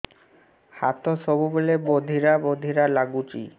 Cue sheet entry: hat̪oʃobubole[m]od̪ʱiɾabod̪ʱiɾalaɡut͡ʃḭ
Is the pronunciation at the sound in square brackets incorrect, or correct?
incorrect